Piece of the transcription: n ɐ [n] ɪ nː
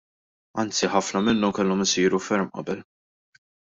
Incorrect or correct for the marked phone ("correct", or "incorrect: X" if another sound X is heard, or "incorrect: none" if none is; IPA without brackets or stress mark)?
incorrect: m